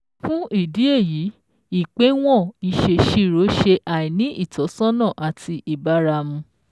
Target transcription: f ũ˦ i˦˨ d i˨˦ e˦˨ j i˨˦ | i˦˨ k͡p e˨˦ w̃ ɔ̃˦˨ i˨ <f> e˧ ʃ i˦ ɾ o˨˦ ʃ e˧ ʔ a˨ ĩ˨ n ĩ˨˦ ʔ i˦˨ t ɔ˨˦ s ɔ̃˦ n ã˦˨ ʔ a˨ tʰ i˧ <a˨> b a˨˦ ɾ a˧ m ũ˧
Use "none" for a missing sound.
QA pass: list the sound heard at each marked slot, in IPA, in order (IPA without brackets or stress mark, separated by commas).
ʃ, i˨